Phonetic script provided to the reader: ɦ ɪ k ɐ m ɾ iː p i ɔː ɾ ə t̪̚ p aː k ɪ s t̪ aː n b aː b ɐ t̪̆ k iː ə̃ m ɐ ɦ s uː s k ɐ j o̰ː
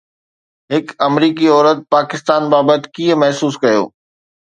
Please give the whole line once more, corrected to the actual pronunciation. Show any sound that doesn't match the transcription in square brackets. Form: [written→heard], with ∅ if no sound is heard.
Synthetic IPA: ɦ ɪ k ɐ m ɾ iː [p→k] i ɔː ɾ ə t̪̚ p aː k ɪ s t̪ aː n b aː b [ɐ→ə] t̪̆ k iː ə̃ m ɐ ɦ s uː s k ɐ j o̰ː

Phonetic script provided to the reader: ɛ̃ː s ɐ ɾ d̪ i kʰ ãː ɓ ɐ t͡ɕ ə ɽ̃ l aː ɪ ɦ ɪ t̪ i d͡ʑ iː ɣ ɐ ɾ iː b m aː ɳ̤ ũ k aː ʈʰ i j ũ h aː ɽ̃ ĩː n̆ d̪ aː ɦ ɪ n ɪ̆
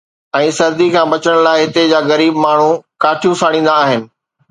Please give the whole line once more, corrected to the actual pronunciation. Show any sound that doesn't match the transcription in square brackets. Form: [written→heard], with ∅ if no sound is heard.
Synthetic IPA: ɛ̃ː s ɐ ɾ d̪ i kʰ ãː [ɓ→b] ɐ t͡ɕ ə ɽ̃ l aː ɪ ɦ ɪ t̪ [i→e] d͡ʑ [iː→aː] ɣ ɐ ɾ iː b m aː ɳ̤ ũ k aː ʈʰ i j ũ [h→s] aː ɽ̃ ĩː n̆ d̪ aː ɦ ɪ n ɪ̆

